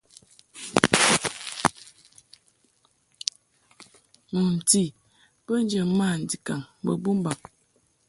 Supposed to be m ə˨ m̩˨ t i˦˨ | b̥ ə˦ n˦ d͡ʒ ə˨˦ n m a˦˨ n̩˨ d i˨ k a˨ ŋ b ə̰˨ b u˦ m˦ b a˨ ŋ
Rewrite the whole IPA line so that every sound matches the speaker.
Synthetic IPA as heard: m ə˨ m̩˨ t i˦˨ | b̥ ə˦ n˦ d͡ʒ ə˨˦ m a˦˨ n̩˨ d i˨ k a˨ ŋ b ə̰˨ b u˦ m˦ b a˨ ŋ